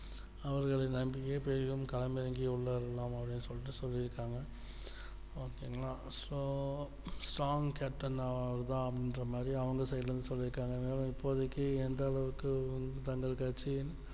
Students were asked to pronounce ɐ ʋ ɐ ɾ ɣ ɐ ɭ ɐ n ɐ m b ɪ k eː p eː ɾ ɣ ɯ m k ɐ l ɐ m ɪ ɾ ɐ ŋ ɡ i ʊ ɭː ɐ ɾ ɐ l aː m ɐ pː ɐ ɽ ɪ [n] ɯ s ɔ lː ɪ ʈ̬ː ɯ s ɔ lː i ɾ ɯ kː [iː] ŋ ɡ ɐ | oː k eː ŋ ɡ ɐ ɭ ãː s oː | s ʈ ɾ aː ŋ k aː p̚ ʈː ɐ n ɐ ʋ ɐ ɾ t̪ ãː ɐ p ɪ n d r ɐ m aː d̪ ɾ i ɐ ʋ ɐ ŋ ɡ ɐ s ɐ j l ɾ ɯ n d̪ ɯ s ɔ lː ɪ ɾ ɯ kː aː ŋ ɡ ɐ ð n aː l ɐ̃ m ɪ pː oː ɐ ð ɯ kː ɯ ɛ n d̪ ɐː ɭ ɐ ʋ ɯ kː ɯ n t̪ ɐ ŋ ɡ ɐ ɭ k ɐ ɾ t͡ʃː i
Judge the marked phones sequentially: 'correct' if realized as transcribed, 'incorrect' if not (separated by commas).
incorrect, incorrect